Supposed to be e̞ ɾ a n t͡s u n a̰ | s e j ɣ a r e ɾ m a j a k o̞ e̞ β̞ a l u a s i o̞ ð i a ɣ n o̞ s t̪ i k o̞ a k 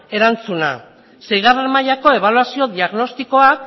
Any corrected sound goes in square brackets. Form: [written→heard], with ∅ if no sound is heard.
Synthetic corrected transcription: e̞ ɾ a n t͡s u n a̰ | s e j ɣ a r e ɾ m a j a k o̞ e̞ β̞ a l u a s i o̞ ð i a ɣ n o̞ s t̪ i k o̞ a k